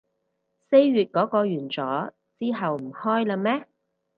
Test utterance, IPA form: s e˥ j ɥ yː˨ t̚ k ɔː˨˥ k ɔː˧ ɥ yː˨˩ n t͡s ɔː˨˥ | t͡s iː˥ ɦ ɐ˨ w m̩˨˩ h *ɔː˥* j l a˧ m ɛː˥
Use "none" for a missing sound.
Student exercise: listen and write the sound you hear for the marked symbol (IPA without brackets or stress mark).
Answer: ɔː˥